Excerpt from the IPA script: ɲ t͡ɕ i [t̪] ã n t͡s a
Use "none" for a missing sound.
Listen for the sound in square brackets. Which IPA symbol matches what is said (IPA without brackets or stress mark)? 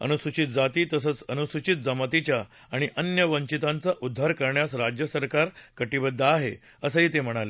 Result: t̪